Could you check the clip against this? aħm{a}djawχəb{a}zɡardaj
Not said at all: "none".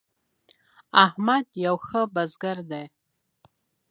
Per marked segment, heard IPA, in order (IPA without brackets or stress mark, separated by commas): a, a